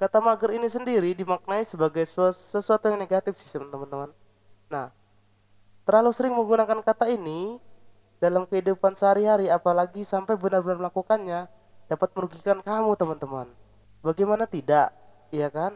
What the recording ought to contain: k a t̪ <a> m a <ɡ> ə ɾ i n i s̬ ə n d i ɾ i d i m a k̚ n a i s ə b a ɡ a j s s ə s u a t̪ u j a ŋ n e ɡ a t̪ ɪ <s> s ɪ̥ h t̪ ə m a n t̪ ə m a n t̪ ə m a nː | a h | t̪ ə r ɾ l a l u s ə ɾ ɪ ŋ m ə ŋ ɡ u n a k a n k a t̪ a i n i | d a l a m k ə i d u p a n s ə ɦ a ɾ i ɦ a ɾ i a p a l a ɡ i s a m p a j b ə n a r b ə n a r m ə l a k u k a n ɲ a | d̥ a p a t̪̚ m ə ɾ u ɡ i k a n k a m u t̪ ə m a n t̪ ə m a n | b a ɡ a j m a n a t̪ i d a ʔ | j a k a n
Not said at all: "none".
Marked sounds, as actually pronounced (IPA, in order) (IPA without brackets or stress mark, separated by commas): a, ɡ, f